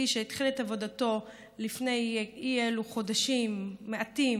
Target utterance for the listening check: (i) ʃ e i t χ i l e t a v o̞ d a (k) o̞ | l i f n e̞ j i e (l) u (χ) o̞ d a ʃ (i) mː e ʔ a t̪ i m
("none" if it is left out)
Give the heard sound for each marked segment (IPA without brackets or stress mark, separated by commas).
i, t, l, χ, i